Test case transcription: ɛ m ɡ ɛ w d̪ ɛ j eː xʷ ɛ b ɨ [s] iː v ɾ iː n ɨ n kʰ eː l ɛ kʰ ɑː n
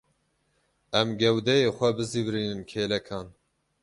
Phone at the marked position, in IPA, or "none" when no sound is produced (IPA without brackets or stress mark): z